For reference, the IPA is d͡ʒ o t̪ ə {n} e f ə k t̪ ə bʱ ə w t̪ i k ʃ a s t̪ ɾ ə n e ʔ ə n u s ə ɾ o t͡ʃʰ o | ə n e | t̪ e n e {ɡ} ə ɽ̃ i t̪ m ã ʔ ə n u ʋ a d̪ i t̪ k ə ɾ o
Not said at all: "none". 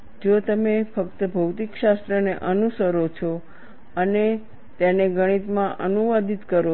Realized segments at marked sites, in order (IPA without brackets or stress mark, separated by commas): m, ɡ